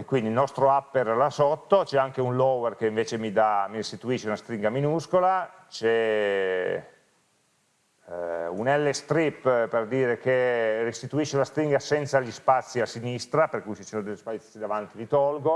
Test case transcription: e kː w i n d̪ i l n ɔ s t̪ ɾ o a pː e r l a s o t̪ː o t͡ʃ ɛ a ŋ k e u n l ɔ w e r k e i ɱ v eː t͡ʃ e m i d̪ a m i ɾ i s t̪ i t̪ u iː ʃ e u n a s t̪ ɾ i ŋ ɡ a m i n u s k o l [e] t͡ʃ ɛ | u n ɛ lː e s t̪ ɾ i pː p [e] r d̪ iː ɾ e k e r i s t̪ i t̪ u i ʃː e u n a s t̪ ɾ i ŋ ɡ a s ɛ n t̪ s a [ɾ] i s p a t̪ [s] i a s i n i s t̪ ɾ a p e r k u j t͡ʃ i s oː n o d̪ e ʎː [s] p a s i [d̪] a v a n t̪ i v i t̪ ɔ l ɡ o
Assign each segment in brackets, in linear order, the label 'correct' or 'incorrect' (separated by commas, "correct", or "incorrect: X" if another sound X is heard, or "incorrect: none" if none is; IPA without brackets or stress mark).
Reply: incorrect: a, correct, incorrect: ʎ, incorrect: sː, correct, correct